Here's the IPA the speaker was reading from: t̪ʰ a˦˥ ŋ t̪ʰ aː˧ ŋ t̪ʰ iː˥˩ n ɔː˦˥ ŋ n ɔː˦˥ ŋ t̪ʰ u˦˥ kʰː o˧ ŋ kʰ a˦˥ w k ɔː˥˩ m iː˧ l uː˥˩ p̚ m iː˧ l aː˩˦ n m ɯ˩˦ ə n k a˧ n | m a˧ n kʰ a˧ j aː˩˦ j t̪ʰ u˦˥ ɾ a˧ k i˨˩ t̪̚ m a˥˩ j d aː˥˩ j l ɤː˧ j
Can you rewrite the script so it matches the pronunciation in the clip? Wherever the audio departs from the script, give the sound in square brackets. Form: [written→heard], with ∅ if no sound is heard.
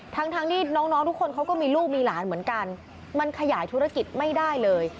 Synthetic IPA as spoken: t̪ʰ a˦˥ ŋ t̪ʰ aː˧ ŋ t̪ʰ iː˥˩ n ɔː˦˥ ŋ n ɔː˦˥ ŋ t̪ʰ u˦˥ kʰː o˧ [ŋ→n] kʰ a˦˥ w k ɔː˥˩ m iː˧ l uː˥˩ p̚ m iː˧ l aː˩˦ n m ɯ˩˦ ə n k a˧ n | m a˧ n kʰ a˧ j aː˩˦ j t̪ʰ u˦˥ ɾ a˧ k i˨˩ t̪̚ m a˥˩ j d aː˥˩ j l ɤː˧ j